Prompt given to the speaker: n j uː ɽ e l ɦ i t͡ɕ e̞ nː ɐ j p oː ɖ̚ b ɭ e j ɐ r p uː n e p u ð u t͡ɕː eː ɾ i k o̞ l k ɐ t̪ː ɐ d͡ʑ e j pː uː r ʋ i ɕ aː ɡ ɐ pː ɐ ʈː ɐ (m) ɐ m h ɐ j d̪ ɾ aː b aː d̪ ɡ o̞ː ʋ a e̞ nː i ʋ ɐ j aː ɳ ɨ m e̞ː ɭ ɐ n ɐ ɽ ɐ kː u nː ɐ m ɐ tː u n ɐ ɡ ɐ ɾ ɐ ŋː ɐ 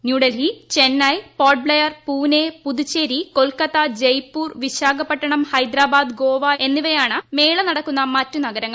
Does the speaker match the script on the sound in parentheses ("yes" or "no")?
no